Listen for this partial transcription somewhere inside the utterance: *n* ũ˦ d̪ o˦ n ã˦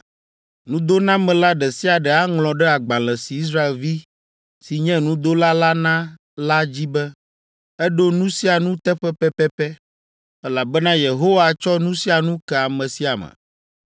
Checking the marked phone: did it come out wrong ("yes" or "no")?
no